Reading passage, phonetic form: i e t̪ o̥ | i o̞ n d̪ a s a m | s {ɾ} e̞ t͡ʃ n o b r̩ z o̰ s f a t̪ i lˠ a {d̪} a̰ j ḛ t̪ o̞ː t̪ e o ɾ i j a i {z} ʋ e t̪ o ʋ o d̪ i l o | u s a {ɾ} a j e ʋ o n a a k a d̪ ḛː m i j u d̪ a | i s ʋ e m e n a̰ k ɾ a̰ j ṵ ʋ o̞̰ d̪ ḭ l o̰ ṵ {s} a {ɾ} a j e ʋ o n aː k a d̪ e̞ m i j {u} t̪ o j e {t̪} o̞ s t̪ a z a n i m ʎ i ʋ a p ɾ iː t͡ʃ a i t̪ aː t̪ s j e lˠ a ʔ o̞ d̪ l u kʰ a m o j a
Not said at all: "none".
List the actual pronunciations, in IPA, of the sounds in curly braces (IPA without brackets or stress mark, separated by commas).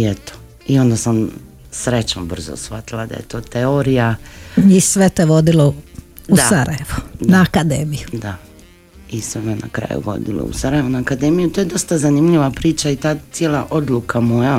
ɾ, d̪, s, ɾ, s, ɾ, u, d̪